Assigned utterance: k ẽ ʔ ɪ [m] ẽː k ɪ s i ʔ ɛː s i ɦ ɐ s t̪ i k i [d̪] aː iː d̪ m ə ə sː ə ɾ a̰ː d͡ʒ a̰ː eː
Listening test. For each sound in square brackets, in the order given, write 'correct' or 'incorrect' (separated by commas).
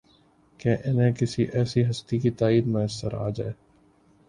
incorrect, incorrect